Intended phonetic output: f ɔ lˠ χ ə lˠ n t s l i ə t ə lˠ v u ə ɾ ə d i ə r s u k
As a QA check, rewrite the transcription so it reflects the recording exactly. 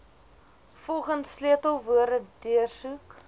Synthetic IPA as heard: f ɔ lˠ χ ə n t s l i ə t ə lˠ v u ə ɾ ə d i ə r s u k